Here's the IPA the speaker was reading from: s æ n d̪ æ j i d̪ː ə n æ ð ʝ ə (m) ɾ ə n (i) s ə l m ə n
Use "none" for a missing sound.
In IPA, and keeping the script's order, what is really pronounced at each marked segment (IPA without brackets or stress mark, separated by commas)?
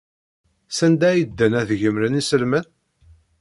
m, i